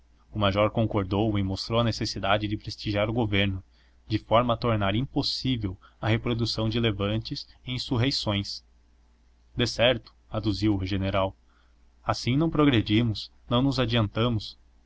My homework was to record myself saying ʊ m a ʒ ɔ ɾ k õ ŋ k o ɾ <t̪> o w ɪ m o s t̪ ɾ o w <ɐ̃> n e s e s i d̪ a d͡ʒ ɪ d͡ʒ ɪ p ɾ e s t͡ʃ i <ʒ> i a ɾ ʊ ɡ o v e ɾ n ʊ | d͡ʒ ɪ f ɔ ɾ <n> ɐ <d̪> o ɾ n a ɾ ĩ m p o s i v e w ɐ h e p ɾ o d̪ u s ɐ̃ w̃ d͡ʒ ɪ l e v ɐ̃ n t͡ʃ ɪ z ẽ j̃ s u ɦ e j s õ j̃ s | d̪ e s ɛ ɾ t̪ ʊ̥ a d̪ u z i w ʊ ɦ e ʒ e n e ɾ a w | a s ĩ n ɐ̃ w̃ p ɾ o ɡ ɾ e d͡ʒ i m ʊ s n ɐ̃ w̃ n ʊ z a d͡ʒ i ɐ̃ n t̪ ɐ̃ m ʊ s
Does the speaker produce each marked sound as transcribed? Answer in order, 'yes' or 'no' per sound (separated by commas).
no, no, yes, no, no